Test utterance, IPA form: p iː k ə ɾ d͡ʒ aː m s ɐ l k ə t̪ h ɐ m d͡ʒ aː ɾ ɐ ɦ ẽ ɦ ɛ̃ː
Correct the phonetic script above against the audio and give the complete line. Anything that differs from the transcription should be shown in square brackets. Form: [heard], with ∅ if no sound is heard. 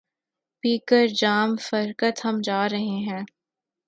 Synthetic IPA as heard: p iː k ə ɾ d͡ʒ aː m [f] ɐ [ɾ] k ə t̪ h ɐ m d͡ʒ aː ɾ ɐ ɦ [e] ɦ ɛ̃ː